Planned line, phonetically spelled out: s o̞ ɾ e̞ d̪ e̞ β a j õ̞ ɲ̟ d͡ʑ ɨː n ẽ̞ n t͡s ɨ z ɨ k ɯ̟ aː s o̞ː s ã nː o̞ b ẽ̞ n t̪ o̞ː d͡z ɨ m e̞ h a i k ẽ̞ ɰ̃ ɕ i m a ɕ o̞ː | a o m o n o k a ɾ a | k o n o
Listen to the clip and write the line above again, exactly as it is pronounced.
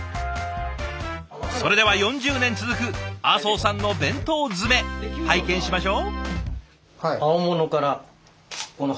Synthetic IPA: s o̞ ɾ e̞ d̪ e̞ β a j õ̞ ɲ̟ d͡ʑ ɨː n ẽ̞ n t͡s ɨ z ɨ k ɯ̟ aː s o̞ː s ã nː o̞ b ẽ̞ n t̪ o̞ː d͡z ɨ m e̞ h a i k ẽ̞ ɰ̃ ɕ i m a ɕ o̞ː | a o m o n o k a ɾ a | k o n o